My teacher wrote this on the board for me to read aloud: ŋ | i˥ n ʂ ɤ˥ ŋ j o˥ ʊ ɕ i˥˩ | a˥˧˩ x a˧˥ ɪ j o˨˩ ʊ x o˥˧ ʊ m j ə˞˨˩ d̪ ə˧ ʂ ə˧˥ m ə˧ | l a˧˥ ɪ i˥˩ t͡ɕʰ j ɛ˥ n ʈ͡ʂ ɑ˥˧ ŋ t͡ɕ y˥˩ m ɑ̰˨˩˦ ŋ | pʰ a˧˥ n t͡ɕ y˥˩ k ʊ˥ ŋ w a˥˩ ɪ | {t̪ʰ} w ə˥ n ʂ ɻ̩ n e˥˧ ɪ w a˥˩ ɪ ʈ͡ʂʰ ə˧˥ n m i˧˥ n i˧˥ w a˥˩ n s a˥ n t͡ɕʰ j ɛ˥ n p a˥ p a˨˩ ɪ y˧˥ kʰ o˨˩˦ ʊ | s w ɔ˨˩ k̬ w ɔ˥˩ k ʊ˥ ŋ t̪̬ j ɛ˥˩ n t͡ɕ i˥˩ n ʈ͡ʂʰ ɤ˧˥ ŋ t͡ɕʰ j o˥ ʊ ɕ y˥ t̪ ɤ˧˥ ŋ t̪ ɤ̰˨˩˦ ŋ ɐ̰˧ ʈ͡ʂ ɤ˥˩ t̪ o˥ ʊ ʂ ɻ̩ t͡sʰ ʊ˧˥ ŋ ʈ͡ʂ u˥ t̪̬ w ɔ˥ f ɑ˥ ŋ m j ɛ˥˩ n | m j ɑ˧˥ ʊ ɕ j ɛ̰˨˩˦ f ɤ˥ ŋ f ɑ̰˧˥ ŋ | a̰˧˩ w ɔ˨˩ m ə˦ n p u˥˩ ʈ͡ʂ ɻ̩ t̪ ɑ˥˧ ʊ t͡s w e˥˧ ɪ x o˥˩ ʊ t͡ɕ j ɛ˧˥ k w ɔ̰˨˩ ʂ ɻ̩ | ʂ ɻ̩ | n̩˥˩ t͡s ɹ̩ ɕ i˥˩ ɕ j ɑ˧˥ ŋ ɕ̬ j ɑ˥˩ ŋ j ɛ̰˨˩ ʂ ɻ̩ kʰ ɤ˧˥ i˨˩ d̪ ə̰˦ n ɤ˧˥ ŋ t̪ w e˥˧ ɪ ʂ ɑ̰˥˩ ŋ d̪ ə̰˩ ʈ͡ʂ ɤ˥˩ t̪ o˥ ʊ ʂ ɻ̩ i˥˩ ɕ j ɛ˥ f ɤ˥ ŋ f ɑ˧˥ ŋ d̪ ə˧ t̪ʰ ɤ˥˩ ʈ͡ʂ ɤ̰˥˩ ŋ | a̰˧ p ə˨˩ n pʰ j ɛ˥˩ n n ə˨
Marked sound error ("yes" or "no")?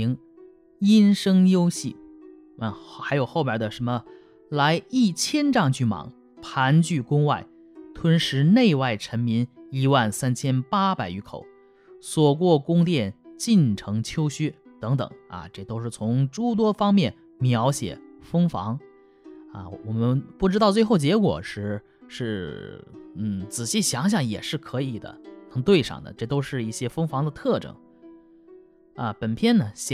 no